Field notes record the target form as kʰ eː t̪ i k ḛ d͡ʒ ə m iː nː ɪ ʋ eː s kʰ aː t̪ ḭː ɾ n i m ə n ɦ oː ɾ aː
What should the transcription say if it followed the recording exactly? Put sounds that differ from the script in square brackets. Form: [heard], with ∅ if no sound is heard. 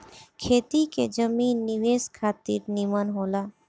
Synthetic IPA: kʰ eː t̪ i k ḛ d͡ʒ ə m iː nː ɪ ʋ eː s kʰ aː t̪ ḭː ɾ n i m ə n ɦ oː [l] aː